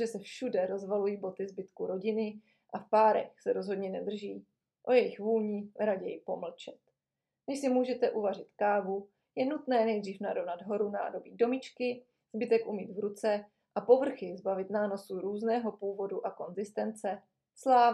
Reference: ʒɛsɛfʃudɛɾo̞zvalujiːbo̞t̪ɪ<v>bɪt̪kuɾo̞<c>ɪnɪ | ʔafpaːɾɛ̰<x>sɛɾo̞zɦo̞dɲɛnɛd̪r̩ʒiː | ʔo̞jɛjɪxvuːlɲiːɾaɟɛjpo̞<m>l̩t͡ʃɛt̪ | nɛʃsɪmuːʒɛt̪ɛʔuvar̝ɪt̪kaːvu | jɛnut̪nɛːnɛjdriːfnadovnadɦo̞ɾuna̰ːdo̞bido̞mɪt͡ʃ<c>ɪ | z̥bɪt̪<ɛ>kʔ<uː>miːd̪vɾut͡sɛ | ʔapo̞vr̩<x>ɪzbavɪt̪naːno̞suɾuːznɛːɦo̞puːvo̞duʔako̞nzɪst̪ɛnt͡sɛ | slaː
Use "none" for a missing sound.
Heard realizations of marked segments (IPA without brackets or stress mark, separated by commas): z, ɟ, x, m, k, ɛ, u, x